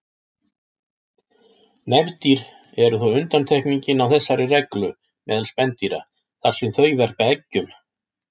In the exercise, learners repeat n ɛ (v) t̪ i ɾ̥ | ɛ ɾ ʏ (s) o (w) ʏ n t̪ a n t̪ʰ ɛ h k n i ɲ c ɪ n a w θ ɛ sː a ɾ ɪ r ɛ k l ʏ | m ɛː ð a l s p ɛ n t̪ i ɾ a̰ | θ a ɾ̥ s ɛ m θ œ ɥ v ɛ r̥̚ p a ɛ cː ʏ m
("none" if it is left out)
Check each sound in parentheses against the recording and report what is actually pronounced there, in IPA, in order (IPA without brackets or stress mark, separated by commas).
v, θ, w